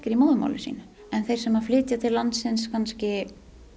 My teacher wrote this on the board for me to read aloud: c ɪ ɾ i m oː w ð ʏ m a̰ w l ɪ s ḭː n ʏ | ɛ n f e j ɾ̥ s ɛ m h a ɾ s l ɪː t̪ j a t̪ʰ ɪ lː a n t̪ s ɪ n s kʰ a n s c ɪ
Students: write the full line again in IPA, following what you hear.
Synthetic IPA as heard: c ɪ ɾ i m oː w ð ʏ m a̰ w l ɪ s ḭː n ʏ | ɛ n θ e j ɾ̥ s ɛ m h a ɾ f l ɪː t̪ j a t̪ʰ ɪ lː a n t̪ s ɪ n s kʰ a n s c ɪ